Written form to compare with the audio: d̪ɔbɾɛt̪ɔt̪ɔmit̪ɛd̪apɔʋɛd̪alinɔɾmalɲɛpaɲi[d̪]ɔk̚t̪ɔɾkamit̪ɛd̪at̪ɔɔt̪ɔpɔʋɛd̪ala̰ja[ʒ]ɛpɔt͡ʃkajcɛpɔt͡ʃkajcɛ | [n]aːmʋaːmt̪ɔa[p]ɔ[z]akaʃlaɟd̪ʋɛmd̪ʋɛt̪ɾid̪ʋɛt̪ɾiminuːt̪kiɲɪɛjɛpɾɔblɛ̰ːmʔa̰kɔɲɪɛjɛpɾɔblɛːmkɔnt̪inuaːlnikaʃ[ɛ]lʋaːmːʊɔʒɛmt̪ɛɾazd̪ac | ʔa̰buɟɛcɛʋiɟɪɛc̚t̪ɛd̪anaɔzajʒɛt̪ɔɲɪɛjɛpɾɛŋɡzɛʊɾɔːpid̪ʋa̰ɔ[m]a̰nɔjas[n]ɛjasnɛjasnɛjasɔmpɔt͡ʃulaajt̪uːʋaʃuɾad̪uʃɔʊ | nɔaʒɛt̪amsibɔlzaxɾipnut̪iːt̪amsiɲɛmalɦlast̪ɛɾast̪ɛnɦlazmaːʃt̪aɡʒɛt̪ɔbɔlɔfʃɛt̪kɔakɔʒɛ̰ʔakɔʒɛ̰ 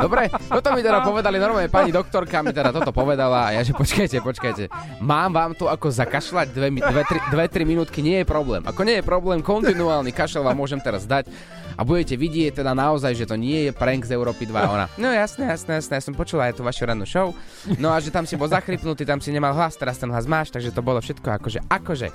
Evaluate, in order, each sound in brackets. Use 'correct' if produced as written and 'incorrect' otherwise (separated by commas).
correct, correct, incorrect, incorrect, correct, correct, incorrect, correct